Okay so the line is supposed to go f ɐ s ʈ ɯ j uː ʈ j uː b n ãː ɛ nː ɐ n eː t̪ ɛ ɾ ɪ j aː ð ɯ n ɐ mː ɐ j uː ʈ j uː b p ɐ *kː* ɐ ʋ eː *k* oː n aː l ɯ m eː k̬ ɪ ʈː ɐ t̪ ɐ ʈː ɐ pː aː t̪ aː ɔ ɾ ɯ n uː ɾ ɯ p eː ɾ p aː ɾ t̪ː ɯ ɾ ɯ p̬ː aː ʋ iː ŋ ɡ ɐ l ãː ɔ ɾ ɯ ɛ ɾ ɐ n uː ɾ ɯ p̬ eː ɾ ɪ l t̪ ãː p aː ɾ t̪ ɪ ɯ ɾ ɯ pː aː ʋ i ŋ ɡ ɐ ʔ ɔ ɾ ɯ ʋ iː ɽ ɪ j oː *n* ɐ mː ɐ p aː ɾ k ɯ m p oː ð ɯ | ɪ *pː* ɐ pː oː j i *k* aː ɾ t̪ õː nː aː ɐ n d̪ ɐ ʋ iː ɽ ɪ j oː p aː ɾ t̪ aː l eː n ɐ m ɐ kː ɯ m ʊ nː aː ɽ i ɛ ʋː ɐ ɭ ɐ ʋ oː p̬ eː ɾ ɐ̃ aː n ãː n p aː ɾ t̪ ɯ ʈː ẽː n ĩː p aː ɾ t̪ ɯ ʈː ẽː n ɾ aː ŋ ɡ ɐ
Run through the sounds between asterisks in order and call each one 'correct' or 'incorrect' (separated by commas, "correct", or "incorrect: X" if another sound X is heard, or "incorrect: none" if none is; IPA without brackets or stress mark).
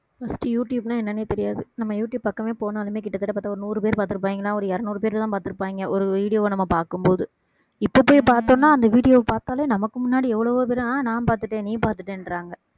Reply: correct, incorrect: p, correct, correct, incorrect: p